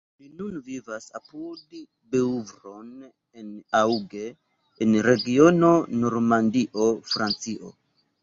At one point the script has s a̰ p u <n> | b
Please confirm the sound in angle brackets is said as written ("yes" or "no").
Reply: no